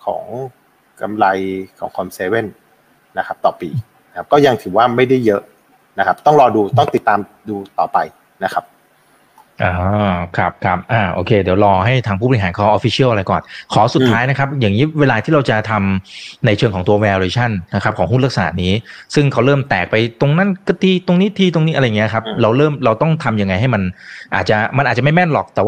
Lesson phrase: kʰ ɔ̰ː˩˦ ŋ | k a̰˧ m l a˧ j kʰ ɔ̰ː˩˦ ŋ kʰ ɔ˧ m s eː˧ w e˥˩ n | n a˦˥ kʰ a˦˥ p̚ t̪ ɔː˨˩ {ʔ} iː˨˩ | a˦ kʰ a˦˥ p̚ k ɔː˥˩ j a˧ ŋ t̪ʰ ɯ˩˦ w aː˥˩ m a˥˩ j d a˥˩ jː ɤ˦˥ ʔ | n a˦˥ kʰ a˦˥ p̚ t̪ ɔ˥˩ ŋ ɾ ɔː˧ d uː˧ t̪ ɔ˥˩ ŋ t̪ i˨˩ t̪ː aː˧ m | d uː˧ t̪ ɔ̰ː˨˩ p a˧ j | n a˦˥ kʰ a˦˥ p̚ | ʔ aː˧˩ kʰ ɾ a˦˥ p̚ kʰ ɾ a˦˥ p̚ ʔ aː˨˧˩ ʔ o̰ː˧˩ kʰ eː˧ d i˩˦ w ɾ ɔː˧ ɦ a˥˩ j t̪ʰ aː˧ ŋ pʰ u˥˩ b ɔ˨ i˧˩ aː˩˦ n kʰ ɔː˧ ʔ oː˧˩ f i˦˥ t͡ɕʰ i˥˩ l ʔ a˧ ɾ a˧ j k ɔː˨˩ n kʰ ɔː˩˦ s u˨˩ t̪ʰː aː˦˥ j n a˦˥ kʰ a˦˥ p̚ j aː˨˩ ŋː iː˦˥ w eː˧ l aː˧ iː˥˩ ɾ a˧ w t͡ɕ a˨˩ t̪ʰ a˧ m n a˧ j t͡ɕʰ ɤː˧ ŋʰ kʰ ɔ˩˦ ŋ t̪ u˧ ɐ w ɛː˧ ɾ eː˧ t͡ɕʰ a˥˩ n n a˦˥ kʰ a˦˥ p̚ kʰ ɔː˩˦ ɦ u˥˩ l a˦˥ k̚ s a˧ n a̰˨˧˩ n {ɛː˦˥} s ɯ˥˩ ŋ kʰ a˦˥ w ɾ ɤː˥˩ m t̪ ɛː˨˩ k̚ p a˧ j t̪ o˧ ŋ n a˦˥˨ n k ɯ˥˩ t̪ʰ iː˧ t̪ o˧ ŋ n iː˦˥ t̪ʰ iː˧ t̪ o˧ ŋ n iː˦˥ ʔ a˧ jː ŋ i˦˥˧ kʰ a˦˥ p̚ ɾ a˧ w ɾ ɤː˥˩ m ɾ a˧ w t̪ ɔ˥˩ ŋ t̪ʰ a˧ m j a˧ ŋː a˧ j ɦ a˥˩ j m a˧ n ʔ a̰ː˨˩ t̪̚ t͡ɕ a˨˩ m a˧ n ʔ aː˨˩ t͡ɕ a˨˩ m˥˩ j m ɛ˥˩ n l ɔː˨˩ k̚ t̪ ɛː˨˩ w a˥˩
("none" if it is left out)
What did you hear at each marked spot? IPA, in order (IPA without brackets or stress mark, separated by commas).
p, iː˦˥